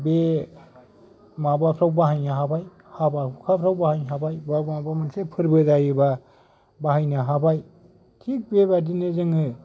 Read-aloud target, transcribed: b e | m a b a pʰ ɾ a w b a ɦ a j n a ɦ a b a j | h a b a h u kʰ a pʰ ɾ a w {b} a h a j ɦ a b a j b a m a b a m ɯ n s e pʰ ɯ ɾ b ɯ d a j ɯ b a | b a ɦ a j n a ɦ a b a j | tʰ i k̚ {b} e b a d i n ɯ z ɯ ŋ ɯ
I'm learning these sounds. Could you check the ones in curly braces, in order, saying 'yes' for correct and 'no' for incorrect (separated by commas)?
yes, yes